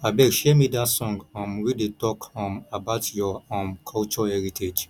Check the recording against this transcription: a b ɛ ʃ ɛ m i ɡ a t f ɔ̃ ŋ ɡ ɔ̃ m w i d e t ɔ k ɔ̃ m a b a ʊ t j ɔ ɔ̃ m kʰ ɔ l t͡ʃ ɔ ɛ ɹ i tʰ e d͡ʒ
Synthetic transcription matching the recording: a b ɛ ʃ ɛ m i d a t s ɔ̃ ŋ ɡ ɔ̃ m w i d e t ɔ k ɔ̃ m a b a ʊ t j ɔ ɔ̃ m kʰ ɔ l t͡ʃ ɔ ɛ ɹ i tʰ e d͡ʒ